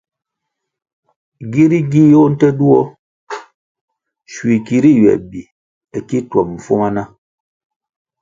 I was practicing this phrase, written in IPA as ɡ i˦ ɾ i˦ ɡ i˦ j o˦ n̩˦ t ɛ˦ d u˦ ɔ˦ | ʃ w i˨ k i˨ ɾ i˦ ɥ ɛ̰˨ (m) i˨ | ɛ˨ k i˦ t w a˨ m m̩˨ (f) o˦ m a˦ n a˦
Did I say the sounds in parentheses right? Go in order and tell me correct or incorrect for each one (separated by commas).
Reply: incorrect, correct